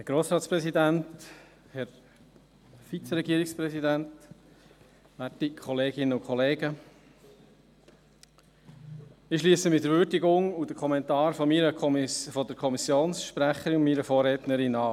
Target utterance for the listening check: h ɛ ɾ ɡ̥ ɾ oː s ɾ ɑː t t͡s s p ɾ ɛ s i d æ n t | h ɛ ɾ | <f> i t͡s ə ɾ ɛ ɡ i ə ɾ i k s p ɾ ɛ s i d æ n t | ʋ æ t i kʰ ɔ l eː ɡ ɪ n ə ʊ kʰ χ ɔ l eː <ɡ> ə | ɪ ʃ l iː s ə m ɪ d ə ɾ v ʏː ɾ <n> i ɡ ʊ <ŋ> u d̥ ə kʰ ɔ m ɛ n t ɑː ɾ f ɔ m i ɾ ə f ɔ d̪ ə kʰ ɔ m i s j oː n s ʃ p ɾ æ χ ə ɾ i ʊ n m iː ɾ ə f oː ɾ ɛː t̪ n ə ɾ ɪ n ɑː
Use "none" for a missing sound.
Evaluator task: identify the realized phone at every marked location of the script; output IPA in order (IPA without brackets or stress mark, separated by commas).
f, ɡ, d, ŋ